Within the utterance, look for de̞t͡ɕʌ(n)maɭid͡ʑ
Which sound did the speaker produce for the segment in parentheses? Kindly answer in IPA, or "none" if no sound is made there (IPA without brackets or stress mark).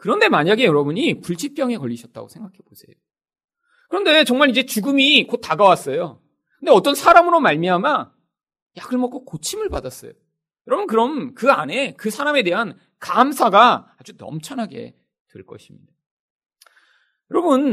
ŋ